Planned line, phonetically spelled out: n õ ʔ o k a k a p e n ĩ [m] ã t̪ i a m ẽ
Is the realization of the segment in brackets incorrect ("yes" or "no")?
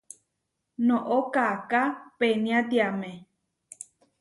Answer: yes